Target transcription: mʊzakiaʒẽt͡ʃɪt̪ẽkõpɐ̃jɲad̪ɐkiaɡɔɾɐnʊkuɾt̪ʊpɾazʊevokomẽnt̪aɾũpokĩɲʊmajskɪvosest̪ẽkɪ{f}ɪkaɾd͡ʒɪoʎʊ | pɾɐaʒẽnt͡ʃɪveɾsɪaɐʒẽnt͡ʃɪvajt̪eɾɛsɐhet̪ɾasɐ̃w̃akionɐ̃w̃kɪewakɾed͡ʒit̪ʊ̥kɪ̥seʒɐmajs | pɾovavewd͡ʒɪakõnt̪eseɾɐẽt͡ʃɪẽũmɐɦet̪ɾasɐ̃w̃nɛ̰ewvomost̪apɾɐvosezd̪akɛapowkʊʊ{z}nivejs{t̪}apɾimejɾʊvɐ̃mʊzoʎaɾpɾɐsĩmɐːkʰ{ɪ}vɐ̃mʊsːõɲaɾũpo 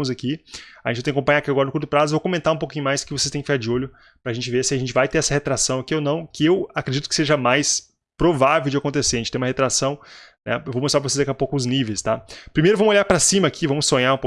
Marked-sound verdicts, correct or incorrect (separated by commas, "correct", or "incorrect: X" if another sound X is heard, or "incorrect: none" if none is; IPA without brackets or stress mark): correct, correct, correct, incorrect: i